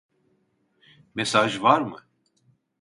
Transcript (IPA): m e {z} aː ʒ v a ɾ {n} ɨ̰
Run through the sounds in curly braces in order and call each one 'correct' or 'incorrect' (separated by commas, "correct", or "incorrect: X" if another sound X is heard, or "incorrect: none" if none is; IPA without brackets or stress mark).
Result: incorrect: s, incorrect: m